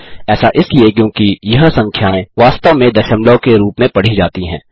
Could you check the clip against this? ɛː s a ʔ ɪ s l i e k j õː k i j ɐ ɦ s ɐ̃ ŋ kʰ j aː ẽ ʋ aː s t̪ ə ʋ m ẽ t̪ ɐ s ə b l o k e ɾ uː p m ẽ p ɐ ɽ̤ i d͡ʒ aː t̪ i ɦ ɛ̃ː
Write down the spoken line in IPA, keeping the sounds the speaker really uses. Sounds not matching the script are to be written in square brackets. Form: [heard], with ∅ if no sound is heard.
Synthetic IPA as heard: ɛː s a ʔ ɪ s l i e k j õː k i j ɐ ɦ s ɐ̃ ŋ kʰ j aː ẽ ʋ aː s t̪ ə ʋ m ẽ [d̪] ɐ [ʃ] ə [m] l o k e ɾ uː p m ẽ p ɐ ɽ̤ i d͡ʒ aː t̪ i ɦ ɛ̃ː